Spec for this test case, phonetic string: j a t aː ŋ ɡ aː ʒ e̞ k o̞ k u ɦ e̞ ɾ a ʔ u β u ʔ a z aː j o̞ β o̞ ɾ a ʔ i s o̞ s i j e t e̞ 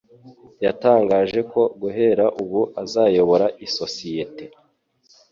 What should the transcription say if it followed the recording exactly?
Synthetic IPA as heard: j a t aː ŋ ɡ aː ʒ e̞ k o̞ ɡ u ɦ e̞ ɾ a ʔ u β u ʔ a z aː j o̞ β o̞ ɾ a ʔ i s o̞ s i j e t e̞